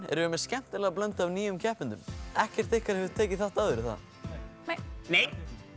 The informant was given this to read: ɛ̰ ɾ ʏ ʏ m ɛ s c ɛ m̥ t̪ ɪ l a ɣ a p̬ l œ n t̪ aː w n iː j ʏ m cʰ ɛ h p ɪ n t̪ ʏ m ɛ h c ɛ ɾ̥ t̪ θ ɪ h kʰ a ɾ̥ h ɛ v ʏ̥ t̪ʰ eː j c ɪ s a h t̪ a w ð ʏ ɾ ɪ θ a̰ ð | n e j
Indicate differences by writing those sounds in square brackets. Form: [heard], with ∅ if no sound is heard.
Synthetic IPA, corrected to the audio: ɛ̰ ɾ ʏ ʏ m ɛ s c ɛ m̥ t̪ ɪ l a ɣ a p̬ l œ n t̪ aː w n iː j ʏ m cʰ ɛ h p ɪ n t̪ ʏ m ɛ h c ɛ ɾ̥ t̪ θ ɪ h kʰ a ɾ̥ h ɛ v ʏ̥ t̪ʰ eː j c ɪ [θ] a h t̪ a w ð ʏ ɾ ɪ θ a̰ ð | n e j